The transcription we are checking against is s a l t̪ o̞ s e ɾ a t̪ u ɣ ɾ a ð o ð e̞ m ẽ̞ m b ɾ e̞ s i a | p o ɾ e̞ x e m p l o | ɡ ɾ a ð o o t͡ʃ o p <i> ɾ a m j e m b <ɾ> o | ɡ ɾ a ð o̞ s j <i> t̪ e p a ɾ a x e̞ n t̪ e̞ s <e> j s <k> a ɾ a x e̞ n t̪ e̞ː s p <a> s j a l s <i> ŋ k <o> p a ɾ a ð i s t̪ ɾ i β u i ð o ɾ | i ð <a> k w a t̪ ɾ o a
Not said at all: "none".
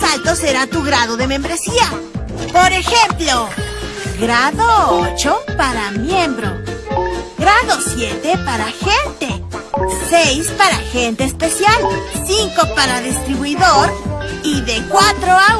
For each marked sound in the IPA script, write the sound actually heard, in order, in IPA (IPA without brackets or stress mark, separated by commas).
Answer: a, ɾ, e, e, p, e, i, o, e